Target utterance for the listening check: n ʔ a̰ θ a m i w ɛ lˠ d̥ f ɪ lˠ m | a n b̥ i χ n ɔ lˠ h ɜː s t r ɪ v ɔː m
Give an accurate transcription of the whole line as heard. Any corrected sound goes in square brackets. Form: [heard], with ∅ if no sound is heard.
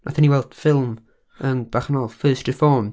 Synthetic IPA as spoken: n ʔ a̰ θ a [n] i w ɛ lˠ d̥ f ɪ lˠ m | [ə] n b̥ [a] χ n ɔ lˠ [f] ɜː s t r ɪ [f] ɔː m